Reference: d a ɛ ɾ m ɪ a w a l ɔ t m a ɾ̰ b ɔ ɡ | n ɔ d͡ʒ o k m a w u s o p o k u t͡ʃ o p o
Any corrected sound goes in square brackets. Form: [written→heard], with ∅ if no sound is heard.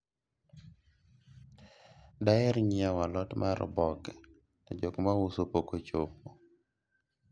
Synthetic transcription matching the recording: d a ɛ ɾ [m→ɲ] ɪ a w a l ɔ t m a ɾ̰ b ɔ ɡ | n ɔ d͡ʒ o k m a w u s o p o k [u→o] t͡ʃ o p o